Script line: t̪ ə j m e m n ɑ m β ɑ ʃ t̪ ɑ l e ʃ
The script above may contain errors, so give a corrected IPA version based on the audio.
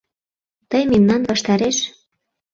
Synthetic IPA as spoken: t̪ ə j m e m n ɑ n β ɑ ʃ t̪ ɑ ɾ e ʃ